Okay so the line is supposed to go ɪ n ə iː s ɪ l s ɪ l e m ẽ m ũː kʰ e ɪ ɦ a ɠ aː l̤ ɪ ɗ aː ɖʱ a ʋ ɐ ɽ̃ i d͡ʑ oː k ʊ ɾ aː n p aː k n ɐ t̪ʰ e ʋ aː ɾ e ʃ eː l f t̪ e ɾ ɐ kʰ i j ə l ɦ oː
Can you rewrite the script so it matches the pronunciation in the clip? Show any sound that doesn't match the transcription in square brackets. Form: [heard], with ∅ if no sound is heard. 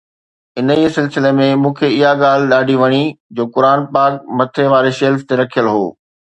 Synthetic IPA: ɪ n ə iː s ɪ l s ɪ l e m ẽ m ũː kʰ e ɪ ɦ a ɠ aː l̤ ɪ ɗ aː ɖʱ [i] ʋ ɐ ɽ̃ i d͡ʑ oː k ʊ ɾ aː n p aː k [m] ɐ t̪ʰ e ʋ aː ɾ e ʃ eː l f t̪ e ɾ ɐ kʰ i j ə l ɦ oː

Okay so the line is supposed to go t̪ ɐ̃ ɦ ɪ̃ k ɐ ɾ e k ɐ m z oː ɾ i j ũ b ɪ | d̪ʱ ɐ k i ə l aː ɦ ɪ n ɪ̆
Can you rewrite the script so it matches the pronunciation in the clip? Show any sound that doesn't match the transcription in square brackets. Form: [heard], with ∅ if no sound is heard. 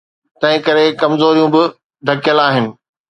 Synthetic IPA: t̪ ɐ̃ ɦ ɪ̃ k ɐ ɾ e k ɐ m z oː ɾ i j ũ b ɪ | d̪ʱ ɐ k [j] ə l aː ɦ ɪ n ɪ̆

